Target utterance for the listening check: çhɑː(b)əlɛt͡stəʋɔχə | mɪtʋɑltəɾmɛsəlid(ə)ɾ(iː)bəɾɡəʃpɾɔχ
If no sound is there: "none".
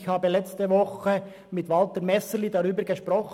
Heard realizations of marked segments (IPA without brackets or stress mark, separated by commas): b, ɑ, yː